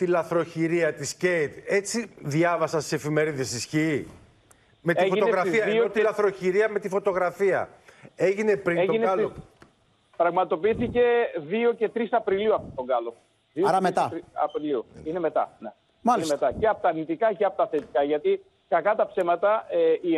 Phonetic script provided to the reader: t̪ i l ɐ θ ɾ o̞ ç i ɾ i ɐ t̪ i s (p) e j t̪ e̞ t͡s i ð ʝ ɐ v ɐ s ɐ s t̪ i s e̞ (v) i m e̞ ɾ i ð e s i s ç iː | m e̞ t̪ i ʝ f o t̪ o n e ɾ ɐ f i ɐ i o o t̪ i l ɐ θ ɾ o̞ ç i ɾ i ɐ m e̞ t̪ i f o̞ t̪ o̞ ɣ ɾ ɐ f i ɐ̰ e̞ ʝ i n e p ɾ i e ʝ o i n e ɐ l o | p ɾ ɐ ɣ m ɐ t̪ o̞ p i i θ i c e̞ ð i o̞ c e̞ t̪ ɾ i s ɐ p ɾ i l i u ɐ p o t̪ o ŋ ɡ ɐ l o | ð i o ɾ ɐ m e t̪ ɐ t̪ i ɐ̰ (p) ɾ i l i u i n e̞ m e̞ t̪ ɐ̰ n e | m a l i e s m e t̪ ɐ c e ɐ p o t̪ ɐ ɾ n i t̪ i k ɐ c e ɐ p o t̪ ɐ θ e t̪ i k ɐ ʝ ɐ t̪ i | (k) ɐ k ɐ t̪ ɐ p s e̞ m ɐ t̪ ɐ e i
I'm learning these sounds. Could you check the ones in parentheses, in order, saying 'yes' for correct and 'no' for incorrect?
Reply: no, no, yes, yes

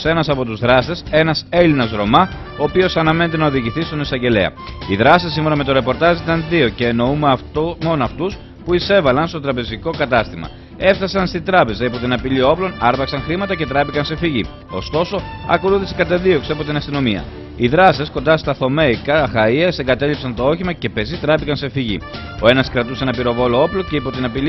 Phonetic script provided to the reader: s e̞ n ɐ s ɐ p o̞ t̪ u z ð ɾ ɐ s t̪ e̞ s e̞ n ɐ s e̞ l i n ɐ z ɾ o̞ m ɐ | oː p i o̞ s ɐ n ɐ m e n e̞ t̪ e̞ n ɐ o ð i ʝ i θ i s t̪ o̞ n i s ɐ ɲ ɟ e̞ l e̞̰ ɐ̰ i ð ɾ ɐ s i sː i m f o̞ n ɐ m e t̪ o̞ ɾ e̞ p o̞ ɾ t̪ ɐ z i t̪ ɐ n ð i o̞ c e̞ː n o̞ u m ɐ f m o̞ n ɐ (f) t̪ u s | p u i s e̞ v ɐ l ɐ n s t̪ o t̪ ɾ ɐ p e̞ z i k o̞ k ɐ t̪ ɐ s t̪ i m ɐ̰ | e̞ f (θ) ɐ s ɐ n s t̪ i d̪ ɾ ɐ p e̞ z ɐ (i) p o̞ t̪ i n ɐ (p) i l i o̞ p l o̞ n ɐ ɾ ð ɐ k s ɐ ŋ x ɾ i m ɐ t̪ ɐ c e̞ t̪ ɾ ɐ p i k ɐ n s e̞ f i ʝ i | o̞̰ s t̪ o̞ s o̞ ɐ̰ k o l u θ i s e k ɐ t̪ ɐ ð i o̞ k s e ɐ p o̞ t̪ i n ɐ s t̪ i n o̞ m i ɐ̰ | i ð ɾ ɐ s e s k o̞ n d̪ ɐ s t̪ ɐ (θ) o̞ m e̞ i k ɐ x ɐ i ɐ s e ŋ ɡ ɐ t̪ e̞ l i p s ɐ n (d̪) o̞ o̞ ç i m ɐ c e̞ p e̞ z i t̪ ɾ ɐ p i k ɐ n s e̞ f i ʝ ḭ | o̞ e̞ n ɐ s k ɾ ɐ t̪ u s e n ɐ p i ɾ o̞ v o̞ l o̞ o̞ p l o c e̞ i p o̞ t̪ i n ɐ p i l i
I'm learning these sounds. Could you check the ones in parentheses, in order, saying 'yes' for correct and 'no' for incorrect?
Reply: yes, yes, yes, yes, yes, no

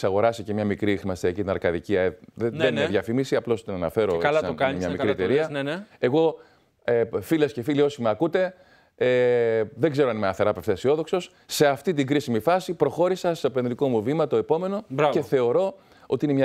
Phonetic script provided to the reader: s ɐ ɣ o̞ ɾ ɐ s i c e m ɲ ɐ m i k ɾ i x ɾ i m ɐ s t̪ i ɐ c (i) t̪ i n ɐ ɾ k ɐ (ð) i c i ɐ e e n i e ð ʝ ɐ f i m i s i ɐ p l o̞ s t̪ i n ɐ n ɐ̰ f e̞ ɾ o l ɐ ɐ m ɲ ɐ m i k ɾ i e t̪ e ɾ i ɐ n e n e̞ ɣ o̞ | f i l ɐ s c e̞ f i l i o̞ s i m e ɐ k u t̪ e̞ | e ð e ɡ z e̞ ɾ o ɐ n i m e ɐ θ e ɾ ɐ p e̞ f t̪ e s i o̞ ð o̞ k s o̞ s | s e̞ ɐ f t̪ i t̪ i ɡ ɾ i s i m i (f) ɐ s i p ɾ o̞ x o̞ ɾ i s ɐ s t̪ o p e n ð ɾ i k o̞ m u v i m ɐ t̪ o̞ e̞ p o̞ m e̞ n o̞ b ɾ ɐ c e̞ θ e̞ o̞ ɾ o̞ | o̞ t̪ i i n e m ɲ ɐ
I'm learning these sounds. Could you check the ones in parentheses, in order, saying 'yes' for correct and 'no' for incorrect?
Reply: yes, yes, yes

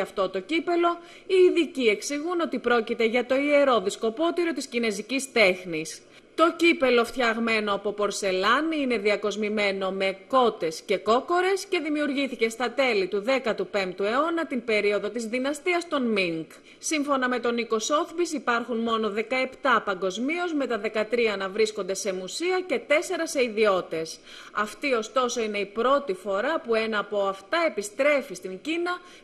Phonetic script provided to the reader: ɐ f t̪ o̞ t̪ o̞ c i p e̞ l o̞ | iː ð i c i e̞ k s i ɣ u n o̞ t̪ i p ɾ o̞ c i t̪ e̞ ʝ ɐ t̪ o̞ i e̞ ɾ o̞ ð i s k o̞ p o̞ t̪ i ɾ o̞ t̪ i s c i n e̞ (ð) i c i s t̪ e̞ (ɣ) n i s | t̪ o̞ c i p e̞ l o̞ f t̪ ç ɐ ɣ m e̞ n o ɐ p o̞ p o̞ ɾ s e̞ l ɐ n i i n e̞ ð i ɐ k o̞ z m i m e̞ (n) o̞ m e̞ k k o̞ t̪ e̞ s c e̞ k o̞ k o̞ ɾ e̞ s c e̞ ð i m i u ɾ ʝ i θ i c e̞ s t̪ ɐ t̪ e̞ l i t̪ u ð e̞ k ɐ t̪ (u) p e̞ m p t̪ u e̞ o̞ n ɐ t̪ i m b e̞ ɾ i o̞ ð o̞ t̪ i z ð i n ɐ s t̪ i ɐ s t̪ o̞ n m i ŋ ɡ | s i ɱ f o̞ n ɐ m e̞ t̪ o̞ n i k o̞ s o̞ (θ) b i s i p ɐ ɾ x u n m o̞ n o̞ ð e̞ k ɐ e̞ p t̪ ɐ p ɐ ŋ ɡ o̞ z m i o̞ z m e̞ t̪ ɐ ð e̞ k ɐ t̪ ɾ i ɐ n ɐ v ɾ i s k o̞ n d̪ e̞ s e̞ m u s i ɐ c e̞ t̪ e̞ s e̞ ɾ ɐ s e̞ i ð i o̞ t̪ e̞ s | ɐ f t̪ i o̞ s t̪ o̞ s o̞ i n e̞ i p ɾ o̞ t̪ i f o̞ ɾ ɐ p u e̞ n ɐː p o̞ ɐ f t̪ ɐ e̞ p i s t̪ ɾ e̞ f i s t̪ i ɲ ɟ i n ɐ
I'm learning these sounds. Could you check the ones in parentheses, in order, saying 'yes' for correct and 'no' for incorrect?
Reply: no, no, yes, yes, yes

